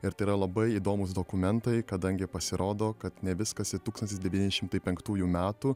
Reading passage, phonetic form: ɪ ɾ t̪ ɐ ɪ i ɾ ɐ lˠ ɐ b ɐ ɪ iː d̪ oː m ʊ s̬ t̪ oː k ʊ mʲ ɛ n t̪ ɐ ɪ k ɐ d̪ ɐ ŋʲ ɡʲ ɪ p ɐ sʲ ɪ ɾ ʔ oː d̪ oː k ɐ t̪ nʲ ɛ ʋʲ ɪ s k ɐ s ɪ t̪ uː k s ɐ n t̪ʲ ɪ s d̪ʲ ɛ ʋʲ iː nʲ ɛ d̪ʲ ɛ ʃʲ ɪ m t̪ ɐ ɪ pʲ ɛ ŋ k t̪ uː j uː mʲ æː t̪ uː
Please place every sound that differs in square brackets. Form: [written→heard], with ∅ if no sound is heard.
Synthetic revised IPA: ɪ ɾ t̪ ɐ ɪ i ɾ ɐ lˠ ɐ b ɐ ɪ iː d̪ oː m ʊ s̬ [t̪→d̪] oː k ʊ mʲ ɛ n t̪ ɐ ɪ k ɐ d̪ ɐ ŋʲ ɡʲ ɪ p ɐ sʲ ɪ ɾ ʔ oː d̪ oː k ɐ t̪ nʲ ɛ ʋʲ ɪ s k ɐ s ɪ t̪ uː k s ɐ n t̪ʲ ɪ s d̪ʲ ɛ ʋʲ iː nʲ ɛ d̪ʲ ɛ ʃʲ ɪ m t̪ ɐ ɪ pʲ ɛ ŋ k t̪ uː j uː mʲ æː t̪ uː